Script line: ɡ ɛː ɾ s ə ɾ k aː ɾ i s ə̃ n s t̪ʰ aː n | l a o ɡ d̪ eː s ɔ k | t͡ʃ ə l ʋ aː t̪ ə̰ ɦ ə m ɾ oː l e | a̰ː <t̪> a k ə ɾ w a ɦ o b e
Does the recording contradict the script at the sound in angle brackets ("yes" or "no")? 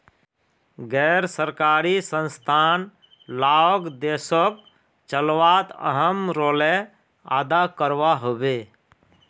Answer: yes